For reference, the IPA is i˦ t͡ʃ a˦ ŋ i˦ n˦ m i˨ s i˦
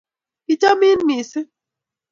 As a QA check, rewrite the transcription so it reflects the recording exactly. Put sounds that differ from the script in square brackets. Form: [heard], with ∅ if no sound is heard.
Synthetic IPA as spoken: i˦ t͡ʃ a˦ [m] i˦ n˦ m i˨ s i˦